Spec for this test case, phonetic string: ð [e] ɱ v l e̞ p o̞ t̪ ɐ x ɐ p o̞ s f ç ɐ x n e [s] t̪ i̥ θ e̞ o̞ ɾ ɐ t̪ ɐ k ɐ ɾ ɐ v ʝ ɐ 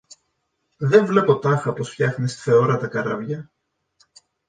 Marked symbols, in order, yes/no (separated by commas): yes, yes